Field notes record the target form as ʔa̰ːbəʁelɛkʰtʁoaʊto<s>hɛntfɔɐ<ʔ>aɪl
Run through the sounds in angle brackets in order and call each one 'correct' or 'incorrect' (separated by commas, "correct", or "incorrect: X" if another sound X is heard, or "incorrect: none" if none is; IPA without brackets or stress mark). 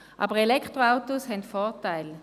correct, incorrect: t